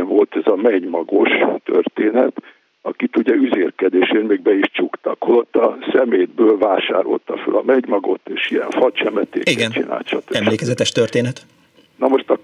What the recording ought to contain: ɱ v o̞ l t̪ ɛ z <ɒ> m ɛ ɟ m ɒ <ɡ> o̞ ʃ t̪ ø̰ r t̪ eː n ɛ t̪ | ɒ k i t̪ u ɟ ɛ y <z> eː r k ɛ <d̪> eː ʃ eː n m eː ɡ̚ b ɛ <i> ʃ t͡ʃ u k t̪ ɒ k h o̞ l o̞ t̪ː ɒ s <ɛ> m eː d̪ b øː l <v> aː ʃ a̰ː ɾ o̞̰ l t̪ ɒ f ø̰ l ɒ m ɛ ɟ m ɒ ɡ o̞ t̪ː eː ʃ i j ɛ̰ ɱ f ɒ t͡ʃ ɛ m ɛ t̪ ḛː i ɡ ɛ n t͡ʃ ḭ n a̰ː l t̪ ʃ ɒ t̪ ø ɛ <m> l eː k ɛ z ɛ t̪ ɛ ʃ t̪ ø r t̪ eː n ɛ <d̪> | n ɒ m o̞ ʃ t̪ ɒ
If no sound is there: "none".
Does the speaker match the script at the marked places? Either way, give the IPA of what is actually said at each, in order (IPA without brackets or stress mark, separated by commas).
ɒ, ɡ, z, d̪, i, ɛ, v, m, t̪